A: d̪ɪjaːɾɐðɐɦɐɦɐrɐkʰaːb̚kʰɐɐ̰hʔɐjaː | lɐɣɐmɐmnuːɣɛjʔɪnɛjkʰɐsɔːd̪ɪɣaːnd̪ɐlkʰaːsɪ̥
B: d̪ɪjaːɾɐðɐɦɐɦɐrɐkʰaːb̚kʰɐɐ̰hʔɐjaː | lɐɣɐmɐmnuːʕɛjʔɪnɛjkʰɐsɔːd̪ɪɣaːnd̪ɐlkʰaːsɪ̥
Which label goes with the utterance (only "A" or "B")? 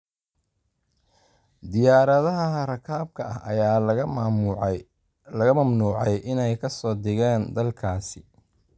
B